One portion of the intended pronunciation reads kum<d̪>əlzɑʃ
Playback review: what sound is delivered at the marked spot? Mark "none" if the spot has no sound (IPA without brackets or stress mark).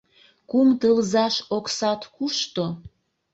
t̪